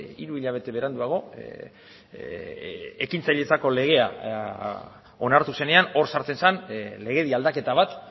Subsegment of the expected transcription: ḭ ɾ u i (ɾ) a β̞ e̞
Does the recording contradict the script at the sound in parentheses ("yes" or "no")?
yes